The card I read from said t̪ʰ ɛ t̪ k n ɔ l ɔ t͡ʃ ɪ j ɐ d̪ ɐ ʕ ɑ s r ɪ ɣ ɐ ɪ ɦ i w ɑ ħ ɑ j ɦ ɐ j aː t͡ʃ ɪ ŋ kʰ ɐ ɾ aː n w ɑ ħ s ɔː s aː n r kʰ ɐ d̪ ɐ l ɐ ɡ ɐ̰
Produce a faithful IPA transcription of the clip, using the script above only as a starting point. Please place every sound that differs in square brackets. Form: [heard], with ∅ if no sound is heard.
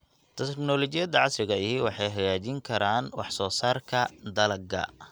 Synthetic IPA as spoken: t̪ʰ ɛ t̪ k n ɔ l ɔ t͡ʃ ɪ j ɐ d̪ ɐ ʕ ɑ s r ɪ ɣ ɐ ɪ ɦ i w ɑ ħ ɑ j ɦ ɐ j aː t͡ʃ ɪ ŋ kʰ ɐ ɾ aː n w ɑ ħ s ɔː s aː [∅] r kʰ ɐ d̪ ɐ l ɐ ɡ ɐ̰